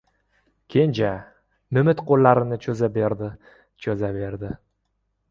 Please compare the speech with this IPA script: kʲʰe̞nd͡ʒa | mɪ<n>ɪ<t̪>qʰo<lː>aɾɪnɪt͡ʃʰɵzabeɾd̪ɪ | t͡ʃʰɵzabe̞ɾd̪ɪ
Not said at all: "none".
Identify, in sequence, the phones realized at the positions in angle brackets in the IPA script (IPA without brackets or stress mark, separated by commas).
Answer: m, t̪, lː